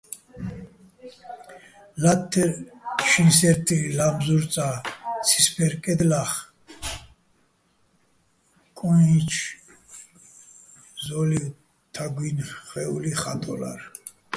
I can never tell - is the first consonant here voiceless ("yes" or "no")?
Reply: no